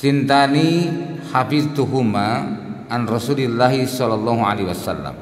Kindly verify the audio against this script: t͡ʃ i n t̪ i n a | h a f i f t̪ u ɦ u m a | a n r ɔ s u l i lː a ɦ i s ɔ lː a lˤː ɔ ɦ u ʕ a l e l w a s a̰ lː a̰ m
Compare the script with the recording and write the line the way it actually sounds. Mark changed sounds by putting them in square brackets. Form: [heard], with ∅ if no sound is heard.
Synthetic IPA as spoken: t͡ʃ i n t̪ [a] n [i] | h a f i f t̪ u ɦ u m a | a n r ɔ s u l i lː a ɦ i s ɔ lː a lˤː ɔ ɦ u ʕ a l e [∅] w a s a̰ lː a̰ m